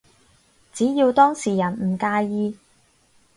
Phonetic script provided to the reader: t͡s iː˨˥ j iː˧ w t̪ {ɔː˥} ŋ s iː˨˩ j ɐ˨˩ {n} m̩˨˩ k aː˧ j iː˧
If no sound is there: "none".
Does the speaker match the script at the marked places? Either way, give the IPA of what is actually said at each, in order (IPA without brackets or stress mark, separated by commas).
ɔː˥, n